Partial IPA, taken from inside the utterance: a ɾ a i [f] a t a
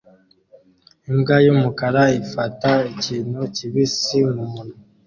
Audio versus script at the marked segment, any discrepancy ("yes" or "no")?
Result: no